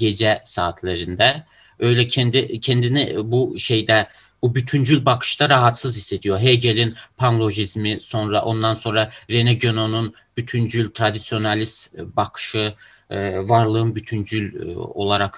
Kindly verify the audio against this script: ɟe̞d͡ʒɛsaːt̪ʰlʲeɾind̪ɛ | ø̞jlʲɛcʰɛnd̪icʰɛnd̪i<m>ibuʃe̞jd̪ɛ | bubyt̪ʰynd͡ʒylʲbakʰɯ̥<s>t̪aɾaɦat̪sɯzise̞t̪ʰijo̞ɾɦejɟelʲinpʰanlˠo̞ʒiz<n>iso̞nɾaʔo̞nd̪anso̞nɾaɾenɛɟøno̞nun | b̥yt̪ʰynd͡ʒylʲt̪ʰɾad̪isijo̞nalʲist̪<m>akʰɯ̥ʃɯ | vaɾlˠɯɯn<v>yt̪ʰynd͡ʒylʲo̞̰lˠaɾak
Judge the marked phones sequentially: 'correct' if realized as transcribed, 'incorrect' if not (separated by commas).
incorrect, incorrect, incorrect, incorrect, incorrect